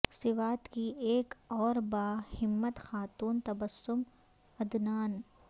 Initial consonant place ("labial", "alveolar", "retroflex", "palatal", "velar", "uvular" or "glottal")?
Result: alveolar